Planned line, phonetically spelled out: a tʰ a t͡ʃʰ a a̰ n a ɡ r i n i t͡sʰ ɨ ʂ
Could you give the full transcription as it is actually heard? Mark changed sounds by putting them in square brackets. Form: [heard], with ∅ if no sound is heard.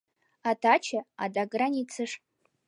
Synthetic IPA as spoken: a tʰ a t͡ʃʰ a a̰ [d] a ɡ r [a] n i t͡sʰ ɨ ʂ